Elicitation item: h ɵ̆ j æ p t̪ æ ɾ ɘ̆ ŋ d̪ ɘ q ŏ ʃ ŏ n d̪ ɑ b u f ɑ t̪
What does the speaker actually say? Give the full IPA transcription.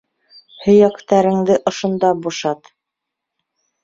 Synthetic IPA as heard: h ɵ̆ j æ k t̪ æ ɾ ɘ̆ ŋ d̪ ɘ ʔ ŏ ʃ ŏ n d̪ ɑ b u ʃ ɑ t̪